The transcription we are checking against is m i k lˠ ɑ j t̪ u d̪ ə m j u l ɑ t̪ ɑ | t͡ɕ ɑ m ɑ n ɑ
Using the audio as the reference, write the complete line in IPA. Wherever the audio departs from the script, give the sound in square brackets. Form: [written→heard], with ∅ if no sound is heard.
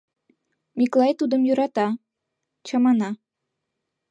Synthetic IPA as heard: m i k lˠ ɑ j t̪ u d̪ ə m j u [l→ɾ] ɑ t̪ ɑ | t͡ɕ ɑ m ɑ n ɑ

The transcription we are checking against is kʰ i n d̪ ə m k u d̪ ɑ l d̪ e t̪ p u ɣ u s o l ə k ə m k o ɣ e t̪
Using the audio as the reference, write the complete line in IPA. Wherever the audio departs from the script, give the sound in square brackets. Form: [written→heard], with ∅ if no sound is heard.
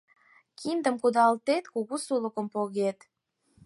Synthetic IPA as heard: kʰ i n d̪ ə m k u d̪ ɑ l [d̪→t̪] e t̪ [p→k] u ɣ u s [o→u] l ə k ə m [k→p] o ɣ e t̪

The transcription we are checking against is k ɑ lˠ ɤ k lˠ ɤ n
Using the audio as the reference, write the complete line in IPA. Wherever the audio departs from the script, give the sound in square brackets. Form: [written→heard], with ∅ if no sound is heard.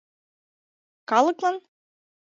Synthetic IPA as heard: k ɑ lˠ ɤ k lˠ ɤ n

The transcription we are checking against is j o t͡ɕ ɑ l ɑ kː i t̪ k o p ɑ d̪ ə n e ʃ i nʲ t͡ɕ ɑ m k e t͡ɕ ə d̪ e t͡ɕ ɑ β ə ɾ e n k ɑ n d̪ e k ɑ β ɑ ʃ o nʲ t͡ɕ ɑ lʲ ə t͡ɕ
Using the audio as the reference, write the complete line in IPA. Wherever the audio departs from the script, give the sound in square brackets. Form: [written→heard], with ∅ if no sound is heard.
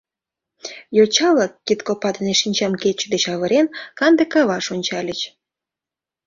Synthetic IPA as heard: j o t͡ɕ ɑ l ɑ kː i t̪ k o p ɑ d̪ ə n e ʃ i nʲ t͡ɕ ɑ m k e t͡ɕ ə d̪ e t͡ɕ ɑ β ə ɾ e n k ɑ n d̪ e k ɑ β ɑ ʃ o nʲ t͡ɕ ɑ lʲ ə t͡ɕ

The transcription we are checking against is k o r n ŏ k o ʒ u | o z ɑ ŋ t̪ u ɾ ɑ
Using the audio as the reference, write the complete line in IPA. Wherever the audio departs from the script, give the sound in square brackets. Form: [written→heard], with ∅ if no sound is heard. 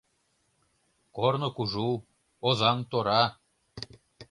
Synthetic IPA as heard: k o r n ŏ k [o→u] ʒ u | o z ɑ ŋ t̪ [u→o] ɾ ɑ

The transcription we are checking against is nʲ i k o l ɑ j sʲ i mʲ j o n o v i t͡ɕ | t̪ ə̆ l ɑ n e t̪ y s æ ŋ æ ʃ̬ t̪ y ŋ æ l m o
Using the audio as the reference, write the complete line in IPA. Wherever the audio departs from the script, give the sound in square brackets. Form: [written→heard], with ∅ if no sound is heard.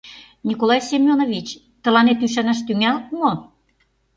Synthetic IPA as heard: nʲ i k o l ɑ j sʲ [i→e] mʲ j o n o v i t͡ɕ | t̪ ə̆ l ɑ n e t̪ y [s→ʃ] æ [ŋ→n] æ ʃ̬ t̪ y ŋ æ l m o

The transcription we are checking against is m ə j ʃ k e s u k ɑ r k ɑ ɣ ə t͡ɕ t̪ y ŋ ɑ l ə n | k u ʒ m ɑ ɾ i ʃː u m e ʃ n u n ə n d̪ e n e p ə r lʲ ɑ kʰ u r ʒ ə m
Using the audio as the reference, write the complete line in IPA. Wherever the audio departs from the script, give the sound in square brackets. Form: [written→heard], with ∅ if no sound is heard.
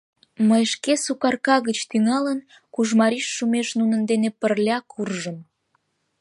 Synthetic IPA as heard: m ə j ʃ k e s u k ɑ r k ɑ ɣ ə t͡ɕ t̪ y ŋ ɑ l ə n | k u ʒ m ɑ ɾ i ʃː u m e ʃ n u n ə n d̪ e n e p ə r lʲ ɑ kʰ u r ʒ ə m

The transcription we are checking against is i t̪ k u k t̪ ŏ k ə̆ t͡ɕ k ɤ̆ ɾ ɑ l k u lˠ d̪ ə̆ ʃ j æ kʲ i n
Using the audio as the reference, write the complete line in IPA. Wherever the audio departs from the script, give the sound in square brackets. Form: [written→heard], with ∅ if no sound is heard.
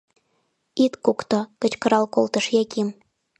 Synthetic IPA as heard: i t̪ k u k t̪ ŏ k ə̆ t͡ɕ k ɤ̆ ɾ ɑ l k [u→o] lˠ [d̪→t̪] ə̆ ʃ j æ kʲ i [n→m]

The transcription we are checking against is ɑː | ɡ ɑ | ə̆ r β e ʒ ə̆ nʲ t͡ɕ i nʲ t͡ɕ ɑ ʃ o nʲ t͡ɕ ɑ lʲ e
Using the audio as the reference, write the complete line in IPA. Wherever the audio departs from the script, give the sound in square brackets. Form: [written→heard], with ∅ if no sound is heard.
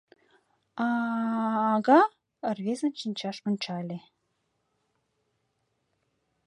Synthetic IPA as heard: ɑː | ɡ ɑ | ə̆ r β e [ʒ→z] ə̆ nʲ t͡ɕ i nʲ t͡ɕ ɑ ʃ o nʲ t͡ɕ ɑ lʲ e

